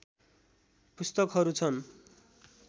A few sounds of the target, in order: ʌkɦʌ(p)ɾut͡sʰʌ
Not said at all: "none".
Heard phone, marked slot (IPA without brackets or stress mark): none